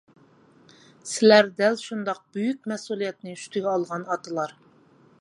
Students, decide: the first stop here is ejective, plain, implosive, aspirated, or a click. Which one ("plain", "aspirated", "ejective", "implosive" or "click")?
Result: plain